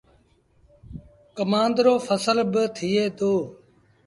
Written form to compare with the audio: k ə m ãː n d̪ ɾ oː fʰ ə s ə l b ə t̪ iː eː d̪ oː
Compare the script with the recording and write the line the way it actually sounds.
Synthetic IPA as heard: k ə m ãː n d̪ ɾ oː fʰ ə s ə l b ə t̪ʰ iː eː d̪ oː